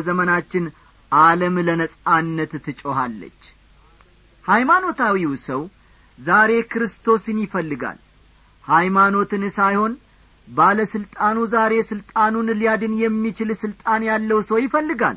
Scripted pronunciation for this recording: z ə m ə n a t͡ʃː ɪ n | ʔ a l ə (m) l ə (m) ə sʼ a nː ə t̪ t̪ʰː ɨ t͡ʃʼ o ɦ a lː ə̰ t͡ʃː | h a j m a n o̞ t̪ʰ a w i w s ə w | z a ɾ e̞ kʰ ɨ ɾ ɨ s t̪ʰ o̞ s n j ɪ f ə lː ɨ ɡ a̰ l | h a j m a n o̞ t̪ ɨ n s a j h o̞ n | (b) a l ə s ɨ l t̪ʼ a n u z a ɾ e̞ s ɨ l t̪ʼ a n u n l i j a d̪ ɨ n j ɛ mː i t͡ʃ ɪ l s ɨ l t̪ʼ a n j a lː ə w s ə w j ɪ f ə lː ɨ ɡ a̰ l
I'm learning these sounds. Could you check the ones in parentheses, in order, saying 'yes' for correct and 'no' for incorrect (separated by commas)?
yes, no, yes